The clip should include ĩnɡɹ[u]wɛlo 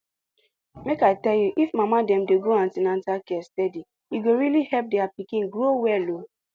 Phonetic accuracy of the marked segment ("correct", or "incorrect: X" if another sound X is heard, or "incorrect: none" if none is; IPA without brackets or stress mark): incorrect: o